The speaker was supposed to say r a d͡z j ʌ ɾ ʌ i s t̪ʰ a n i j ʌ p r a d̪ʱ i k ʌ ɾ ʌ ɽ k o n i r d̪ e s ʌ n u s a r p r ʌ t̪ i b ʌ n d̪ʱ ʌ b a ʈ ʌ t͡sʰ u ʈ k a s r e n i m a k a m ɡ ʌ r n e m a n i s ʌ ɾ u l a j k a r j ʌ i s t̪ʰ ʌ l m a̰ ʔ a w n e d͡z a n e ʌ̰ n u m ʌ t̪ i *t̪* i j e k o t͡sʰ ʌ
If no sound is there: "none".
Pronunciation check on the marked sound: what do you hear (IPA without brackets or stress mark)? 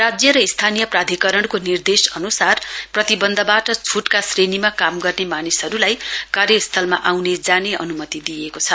d̪